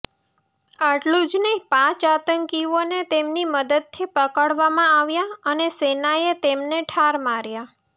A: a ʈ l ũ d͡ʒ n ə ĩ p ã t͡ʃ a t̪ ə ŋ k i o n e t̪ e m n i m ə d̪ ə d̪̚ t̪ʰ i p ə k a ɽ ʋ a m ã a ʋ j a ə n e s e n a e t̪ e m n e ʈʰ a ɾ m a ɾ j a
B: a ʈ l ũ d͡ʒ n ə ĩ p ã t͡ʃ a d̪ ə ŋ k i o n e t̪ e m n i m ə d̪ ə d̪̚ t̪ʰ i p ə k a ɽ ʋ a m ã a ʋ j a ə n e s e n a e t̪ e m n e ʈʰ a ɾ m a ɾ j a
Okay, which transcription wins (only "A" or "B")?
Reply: A